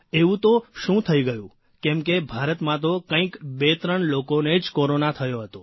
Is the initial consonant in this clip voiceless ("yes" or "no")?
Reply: no